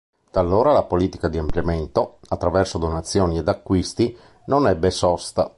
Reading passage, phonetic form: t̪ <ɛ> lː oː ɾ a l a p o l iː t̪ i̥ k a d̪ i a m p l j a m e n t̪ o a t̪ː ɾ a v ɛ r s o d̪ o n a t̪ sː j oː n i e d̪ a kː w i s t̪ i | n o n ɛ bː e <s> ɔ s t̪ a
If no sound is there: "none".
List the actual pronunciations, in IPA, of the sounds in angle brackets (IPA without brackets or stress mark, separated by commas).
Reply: a, s